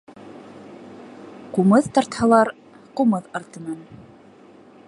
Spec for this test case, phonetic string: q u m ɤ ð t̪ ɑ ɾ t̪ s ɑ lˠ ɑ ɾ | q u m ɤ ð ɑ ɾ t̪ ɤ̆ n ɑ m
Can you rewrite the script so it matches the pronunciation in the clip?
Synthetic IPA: q u m ɤ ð t̪ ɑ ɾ t̪ h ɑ lˠ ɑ ɾ | q u m ɤ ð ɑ ɾ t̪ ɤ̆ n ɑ n

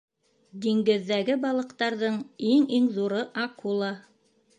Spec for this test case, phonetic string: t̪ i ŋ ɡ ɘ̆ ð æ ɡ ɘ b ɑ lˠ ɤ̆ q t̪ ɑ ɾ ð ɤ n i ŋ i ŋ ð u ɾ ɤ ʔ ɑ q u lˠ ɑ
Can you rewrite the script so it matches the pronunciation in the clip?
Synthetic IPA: d̪ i ŋ ɡ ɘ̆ ðː æ ɡ ɘ b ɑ lˠ ɤ̆ q t̪ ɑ ɾ ð ɤ ɴ i ŋ i ŋ ð u ɾ ɤ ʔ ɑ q u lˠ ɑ

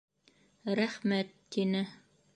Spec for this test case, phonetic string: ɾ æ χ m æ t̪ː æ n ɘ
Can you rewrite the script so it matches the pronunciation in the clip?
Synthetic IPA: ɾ æ χ m æ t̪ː i n ɘ

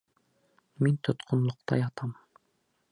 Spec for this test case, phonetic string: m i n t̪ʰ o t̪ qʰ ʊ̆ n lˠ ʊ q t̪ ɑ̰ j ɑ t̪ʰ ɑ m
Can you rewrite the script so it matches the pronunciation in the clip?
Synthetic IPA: m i n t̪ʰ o t̪ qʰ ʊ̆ n lˠ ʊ q t̪ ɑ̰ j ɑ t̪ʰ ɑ m

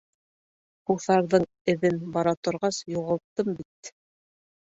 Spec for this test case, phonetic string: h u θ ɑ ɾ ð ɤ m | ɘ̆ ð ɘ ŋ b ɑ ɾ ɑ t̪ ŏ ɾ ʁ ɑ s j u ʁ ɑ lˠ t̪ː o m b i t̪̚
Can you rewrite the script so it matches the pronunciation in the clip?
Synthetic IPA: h u θ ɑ ɾ ð ɤ ɴ | ɘ̆ ð ɘ n b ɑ ɾ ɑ t̪ ŏ ɾ ʁ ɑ s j u ʁ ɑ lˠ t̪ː ɤ m b i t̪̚

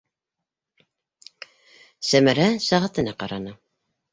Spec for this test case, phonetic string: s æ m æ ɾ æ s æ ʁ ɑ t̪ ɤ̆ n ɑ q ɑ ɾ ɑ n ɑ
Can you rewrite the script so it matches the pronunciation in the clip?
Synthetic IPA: s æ m æ ɾ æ s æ ʁ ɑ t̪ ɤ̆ n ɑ q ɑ ɾ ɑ n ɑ

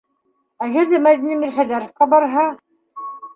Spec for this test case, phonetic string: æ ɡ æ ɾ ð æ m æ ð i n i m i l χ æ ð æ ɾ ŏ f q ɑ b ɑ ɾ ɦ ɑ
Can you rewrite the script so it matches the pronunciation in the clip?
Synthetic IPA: æ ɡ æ ɾ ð æ m æ ð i n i m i l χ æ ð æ ɾ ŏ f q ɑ b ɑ ɾ ɦ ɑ

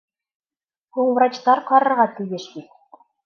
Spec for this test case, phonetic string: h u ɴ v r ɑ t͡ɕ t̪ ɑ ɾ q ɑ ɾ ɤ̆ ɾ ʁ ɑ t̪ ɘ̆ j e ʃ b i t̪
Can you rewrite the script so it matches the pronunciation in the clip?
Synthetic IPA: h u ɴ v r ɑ t͡ɕ t̪ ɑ ɾ q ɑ ɾ ɤ̆ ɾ ʁ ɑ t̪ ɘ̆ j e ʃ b i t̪

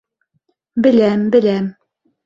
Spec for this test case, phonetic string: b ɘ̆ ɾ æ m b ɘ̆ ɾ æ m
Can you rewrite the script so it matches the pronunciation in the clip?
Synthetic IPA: b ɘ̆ l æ m b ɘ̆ l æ m

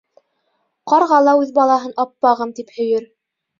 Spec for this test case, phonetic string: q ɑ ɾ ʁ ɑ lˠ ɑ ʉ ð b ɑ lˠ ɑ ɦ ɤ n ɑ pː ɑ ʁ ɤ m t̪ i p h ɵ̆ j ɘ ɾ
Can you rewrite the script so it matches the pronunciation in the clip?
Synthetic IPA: q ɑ ɾ ʁ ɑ lˠ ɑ ʉ ð b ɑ lˠ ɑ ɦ ɤ n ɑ pː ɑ ʁ ɤ m t̪ i p h ɵ̆ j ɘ ɾ

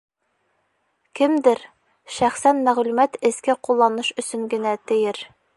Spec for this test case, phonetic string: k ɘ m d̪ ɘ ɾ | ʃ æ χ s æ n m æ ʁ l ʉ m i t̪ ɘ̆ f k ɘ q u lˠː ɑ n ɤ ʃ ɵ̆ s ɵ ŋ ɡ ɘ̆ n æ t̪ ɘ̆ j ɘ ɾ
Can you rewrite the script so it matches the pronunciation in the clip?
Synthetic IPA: k ɘ m d̪ ɘ ɾ | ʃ æ χ s æ n m æ ʁ l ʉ m æ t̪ ɘ̆ s k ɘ q u lˠː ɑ n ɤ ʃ ɵ̆ s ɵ ŋ ɡ ɘ̆ n æ t̪ ɘ̆ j ɘ ɾ

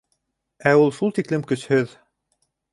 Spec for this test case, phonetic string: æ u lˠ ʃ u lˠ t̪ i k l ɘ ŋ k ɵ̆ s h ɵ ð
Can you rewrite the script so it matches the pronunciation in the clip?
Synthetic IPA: æ u lˠ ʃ u lˠ t̪ i k l ɘ m k ɵ̆ s h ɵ ð

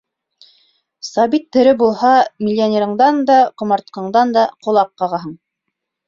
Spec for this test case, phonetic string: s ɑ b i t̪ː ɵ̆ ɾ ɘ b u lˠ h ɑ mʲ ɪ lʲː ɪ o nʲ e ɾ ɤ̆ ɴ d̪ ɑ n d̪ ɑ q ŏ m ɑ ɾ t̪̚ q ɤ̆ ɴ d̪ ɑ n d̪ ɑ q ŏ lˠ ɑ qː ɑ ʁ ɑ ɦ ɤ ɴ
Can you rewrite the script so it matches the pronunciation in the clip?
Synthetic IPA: s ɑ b i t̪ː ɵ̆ ɾ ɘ b u lˠ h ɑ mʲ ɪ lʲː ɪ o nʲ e ɾ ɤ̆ ɴ d̪ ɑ n d̪ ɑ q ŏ m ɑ ɾ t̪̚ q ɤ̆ ɴ d̪ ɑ n d̪ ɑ q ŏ lˠ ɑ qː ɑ ʁ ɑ ɦ ɤ ɴ

